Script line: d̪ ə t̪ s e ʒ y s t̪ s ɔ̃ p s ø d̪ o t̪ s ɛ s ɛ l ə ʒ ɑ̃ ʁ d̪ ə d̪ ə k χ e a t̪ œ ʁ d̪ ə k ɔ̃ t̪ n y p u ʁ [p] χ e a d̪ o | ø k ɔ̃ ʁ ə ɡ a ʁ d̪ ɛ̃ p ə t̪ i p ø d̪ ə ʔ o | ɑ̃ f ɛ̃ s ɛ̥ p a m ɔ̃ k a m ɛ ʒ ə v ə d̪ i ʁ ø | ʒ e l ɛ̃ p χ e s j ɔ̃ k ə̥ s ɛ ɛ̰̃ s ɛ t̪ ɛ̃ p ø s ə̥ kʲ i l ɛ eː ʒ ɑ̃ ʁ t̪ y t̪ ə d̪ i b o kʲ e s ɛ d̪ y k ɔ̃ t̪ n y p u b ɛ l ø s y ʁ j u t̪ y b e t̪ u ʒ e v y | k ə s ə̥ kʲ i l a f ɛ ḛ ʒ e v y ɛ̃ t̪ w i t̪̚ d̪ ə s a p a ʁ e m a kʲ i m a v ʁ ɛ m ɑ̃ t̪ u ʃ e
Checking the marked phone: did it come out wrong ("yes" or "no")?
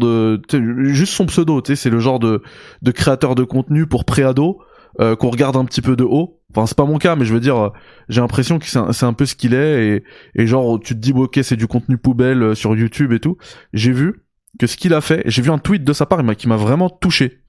no